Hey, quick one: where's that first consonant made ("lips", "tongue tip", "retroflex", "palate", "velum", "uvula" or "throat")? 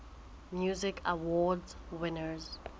lips